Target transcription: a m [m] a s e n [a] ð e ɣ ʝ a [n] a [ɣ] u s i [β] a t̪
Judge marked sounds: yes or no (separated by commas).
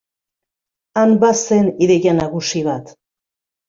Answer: no, no, yes, yes, yes